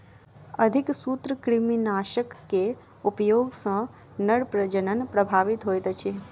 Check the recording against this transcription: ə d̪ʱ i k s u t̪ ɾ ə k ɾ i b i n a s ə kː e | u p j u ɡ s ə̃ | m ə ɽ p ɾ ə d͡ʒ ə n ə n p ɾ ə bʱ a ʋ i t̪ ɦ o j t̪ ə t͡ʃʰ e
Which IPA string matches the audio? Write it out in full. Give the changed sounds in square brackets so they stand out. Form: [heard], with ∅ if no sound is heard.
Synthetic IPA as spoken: ə d̪ʱ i k s u t̪ ɾ ə k ɾ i [m] i n a [ʃ] ə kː e | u p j [o] ɡ s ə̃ | [n] ə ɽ p ɾ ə d͡ʒ ə n ə n p ɾ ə bʱ a ʋ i t̪ ɦ o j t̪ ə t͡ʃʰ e